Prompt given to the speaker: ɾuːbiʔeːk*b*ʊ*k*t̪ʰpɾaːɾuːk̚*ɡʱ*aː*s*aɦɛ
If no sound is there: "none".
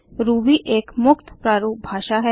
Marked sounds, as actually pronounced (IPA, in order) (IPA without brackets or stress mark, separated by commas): m, k, bʱ, ʃ